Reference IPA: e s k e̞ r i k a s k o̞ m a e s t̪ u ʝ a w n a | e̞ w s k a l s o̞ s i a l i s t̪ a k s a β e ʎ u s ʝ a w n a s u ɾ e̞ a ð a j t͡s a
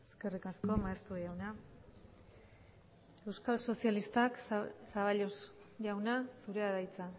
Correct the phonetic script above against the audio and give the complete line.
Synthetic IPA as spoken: e s k e̞ r i k a s k o̞ m a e s t̪ u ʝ a w n a | e̞ w s k a l s o̞ s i a l i s t̪ a k s a β a ʎ o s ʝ a w n a s u ɾ e̞ a ð a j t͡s a